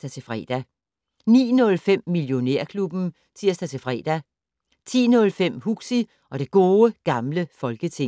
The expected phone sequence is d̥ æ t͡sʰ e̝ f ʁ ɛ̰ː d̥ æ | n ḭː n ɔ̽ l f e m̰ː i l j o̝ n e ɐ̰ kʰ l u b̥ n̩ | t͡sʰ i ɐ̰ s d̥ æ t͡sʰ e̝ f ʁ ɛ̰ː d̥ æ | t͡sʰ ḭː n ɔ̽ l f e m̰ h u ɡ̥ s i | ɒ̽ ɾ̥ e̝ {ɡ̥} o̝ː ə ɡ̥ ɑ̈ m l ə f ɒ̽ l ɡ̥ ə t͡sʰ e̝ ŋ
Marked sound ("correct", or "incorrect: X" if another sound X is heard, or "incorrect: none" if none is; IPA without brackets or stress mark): correct